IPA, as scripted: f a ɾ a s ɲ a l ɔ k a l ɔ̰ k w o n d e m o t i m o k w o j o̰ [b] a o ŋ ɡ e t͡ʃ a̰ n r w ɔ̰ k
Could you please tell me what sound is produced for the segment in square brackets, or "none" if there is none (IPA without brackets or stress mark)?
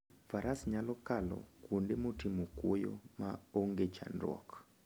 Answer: m